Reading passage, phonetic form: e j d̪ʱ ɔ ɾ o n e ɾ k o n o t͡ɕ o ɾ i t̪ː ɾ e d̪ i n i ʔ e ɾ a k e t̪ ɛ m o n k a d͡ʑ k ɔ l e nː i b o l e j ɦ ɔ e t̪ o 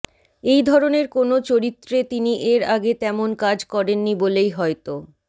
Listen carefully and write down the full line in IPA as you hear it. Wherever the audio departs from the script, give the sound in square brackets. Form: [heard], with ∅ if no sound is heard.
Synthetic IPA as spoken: e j d̪ʱ ɔ ɾ o n e ɾ k o n o t͡ɕ o ɾ i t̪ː ɾ e [t̪] i n i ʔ e ɾ a [ɡ] e t̪ ɛ m o n k a d͡ʑ k ɔ [ɾ] e nː i b o l e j ɦ ɔ e t̪ o